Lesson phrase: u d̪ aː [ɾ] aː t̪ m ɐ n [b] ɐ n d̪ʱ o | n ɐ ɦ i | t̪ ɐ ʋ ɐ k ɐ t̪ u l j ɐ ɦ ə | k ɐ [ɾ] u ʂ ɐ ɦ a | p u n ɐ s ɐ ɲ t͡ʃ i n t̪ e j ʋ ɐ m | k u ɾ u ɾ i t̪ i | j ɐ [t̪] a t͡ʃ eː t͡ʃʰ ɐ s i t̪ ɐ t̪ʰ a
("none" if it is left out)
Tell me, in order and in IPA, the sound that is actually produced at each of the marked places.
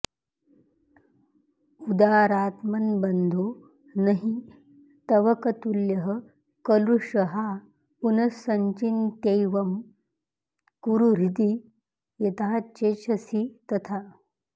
ɾ, b, l, t̪

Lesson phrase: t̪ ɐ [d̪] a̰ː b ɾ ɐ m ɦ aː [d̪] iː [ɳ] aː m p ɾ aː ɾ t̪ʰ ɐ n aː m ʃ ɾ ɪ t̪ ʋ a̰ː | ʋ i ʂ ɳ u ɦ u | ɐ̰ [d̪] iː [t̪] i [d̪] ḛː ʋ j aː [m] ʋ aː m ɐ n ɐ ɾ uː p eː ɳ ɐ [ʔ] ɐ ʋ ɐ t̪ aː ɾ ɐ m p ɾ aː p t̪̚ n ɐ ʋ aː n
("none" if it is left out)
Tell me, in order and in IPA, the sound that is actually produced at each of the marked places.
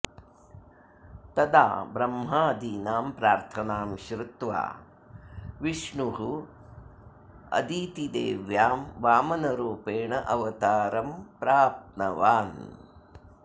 d̪, d̪, n, d̪, t̪, d̪, m, ʔ

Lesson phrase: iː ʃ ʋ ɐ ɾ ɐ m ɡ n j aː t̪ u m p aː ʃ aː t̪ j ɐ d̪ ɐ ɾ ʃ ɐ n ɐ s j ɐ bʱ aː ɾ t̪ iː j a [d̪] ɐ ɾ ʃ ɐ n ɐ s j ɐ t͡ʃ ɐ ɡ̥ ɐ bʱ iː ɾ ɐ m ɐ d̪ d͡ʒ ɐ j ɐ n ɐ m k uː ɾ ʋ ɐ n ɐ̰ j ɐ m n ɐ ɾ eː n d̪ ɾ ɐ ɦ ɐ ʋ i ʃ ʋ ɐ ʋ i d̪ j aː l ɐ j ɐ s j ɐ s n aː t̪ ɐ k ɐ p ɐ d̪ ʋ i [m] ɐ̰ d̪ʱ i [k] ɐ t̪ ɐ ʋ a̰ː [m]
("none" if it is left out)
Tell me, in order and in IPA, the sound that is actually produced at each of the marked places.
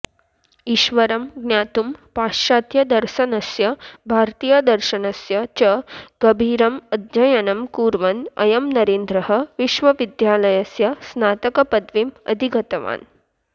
d̪, m, ɡ, n

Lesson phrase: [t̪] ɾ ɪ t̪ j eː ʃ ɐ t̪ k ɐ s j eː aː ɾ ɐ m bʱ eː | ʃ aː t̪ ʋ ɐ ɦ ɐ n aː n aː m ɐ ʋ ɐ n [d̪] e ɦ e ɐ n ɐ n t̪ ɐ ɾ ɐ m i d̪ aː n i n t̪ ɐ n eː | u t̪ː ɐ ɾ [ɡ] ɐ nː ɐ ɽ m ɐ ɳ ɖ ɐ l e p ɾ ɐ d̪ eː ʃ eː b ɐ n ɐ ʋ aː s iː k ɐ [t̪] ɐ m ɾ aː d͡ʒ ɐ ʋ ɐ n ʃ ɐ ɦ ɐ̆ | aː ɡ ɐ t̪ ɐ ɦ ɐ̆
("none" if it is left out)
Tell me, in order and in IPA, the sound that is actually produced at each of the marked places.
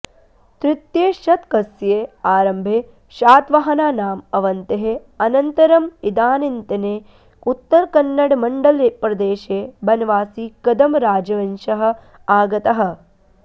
t̪, t̪, k, d̪

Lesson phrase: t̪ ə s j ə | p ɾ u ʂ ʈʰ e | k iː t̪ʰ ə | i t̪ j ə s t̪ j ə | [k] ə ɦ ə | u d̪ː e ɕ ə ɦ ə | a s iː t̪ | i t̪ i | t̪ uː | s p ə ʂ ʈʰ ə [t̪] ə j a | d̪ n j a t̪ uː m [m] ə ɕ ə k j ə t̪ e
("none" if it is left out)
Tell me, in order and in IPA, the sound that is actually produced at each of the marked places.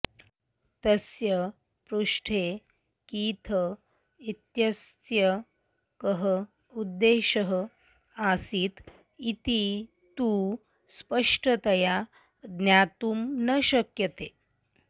k, t̪, n

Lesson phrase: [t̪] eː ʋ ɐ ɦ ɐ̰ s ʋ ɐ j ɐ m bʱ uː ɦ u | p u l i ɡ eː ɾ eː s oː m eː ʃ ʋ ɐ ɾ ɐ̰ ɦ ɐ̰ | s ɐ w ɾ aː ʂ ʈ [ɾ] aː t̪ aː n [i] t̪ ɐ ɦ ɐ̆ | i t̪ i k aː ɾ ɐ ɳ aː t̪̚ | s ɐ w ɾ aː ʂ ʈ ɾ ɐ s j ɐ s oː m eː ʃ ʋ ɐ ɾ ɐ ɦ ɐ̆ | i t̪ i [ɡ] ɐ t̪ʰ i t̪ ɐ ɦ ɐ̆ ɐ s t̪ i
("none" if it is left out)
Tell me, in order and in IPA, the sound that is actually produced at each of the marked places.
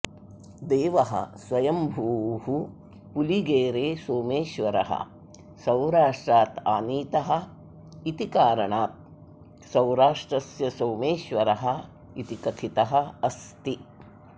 d̪, ɾ, iː, k

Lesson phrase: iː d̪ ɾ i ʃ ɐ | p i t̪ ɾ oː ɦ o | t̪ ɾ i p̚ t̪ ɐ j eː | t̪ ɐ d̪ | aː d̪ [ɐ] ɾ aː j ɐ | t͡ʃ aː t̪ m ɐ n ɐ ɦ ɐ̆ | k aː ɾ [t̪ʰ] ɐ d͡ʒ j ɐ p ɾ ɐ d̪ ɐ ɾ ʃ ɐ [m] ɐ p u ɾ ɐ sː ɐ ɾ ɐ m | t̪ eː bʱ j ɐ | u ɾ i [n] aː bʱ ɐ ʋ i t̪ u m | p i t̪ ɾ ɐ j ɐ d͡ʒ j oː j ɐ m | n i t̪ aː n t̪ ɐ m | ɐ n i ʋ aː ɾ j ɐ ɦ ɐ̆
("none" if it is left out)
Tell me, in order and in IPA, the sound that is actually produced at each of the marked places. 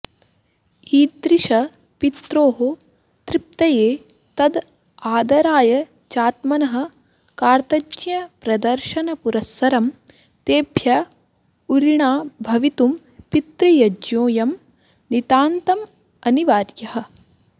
ɐ, t̪, n, ɳ

